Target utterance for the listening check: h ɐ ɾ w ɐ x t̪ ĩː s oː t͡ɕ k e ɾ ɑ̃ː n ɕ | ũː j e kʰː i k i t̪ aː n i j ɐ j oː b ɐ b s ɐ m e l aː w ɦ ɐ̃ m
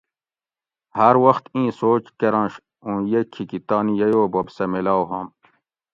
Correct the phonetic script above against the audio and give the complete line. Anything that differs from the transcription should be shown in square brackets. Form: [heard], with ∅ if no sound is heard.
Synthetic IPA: h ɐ ɾ w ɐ x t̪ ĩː s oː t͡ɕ k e ɾ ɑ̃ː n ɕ | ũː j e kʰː i k i t̪ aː n i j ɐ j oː b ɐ b s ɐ m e l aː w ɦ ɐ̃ m